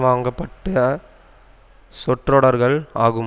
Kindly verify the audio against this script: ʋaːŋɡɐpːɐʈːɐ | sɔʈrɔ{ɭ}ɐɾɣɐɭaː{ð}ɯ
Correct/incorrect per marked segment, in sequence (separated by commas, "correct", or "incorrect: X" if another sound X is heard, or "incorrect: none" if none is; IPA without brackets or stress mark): incorrect: ɽ, incorrect: ɣ